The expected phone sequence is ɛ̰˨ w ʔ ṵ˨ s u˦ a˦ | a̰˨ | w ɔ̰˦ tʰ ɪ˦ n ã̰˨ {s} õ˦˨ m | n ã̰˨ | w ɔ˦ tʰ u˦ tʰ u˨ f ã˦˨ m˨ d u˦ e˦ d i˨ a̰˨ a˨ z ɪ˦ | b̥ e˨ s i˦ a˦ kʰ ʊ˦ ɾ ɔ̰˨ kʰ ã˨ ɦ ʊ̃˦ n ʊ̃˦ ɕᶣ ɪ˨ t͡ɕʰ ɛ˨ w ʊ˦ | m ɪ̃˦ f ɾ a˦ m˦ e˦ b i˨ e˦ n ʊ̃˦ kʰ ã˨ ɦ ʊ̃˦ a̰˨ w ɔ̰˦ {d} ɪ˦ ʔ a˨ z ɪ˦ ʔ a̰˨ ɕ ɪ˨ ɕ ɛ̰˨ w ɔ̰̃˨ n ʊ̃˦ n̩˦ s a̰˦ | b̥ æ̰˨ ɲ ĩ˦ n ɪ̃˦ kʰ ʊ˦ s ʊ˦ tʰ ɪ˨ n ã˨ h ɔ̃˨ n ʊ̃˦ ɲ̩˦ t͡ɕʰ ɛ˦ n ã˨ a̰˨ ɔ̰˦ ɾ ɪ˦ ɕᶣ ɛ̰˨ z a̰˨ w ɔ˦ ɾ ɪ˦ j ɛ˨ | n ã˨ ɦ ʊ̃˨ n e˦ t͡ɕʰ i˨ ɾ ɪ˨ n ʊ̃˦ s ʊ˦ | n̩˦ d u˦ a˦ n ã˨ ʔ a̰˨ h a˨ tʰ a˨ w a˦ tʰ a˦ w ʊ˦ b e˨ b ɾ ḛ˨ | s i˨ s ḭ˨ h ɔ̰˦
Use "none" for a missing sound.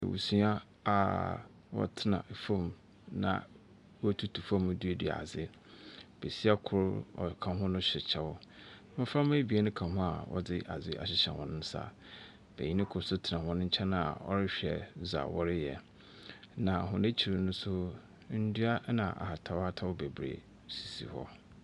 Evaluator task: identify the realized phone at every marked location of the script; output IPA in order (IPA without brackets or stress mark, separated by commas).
f, d